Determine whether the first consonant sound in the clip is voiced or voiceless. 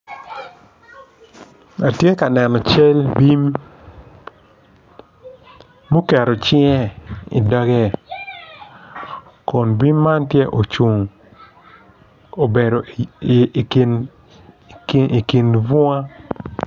voiceless